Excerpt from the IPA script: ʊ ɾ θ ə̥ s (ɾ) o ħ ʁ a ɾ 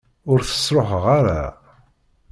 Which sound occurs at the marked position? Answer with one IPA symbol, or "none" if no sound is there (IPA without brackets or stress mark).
ɾ